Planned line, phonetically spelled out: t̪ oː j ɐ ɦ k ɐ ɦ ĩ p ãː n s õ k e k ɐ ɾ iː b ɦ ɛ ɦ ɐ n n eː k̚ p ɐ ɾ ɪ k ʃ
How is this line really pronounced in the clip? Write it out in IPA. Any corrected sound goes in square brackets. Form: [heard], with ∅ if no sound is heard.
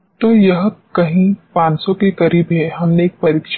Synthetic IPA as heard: t̪ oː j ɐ ɦ k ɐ ɦ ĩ p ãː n s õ k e k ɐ ɾ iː b ɦ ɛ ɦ ɐ [m] n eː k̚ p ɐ ɾ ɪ k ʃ